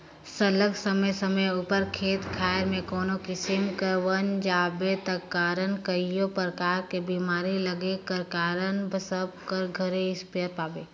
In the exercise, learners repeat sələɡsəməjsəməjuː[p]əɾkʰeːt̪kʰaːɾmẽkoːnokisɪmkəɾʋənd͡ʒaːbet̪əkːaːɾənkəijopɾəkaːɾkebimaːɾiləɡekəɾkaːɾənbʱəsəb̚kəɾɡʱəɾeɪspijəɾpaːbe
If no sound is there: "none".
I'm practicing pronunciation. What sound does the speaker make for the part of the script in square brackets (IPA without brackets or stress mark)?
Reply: p